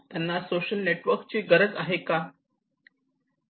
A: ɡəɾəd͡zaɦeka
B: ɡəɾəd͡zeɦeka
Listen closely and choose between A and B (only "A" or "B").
A